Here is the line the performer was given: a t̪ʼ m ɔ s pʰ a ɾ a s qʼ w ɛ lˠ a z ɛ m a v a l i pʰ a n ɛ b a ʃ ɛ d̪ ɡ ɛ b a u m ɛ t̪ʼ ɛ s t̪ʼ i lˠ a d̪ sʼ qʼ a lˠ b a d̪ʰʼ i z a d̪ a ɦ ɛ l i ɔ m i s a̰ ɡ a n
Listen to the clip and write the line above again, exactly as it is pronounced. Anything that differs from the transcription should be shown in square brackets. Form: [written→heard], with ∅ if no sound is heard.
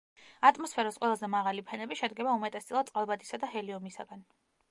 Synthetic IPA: a t̪ʼ m ɔ s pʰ [a→ɛ] ɾ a s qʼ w ɛ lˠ a z ɛ m a [v→ʁ] a l i pʰ [a→ɛ] n ɛ b [a→i] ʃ ɛ d̪ ɡ ɛ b a u m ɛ t̪ʼ ɛ s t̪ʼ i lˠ a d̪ sʼ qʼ a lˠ b a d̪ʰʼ i [z→s] a d̪ a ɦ ɛ l i ɔ m i s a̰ ɡ a n